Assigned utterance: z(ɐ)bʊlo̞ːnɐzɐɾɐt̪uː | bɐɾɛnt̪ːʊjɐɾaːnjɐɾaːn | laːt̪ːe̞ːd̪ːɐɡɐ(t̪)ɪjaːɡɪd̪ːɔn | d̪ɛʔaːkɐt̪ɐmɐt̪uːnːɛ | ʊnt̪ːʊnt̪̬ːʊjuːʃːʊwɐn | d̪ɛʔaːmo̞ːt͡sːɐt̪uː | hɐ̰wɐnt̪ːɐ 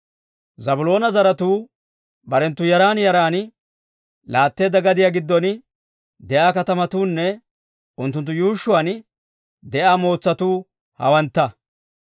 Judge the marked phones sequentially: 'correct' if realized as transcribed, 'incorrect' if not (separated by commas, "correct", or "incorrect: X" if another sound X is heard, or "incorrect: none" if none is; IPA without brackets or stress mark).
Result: correct, incorrect: d̪